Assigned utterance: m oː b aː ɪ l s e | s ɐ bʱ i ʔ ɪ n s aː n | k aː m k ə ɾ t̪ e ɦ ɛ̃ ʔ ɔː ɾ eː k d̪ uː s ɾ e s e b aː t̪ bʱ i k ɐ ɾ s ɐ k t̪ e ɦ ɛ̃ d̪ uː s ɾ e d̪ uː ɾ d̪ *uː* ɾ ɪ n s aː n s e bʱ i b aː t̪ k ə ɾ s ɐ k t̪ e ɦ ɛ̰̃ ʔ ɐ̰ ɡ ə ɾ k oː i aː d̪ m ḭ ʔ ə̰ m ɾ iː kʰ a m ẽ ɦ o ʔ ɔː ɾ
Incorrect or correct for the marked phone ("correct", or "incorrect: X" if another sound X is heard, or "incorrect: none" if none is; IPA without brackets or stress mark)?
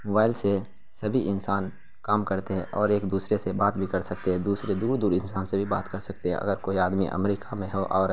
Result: correct